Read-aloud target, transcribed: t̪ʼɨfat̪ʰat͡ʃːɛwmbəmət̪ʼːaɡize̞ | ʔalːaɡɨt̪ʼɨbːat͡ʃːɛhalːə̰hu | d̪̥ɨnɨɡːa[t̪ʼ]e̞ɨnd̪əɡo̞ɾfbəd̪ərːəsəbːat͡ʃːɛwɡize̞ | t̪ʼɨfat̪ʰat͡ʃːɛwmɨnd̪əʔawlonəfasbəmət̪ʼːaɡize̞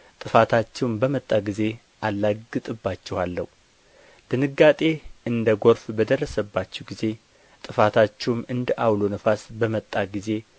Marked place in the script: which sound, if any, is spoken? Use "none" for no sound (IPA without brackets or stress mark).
t̪ʼ